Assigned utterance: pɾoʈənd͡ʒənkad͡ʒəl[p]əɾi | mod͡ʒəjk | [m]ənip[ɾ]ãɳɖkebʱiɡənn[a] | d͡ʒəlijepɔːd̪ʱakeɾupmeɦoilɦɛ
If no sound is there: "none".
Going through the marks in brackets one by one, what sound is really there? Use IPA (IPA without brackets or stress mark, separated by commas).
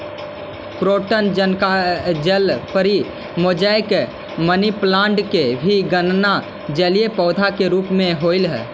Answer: p, m, l, a